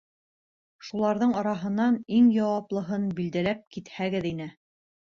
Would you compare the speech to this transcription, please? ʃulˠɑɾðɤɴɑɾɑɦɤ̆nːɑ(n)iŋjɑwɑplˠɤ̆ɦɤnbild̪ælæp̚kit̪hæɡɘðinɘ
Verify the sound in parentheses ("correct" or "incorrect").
correct